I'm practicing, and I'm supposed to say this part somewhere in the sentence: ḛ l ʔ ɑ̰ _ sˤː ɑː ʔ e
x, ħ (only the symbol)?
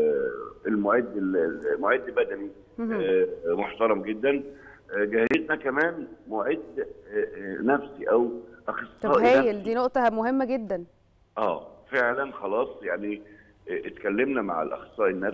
x